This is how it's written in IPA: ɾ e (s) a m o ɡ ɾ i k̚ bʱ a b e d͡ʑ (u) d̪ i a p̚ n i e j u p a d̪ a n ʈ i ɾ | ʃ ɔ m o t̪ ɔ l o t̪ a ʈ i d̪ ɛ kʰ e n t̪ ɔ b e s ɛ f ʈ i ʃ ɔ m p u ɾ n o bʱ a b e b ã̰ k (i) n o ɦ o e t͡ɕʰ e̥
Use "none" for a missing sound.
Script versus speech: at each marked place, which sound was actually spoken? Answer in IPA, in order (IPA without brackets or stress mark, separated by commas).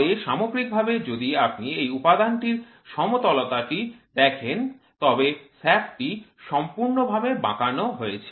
ʃ, o, a